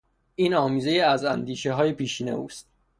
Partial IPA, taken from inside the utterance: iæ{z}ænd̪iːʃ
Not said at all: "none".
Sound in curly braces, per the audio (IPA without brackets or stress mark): z